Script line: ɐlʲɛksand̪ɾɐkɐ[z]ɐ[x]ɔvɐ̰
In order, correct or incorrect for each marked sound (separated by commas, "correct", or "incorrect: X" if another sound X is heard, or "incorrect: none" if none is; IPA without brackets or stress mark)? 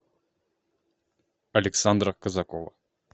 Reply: correct, incorrect: k